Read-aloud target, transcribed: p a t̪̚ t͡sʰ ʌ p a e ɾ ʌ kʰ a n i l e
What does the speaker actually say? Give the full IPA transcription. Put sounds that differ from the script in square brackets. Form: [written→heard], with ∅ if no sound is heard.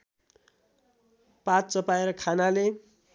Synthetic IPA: p a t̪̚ [t͡sʰ→t͡s] ʌ p a e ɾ ʌ kʰ a n [i→a] l e